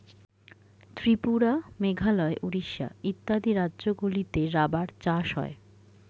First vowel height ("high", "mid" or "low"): high